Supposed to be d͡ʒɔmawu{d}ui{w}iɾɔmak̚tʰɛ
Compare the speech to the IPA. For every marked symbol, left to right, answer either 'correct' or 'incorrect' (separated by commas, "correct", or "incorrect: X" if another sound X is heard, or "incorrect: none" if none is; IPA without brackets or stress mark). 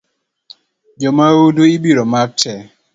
correct, incorrect: b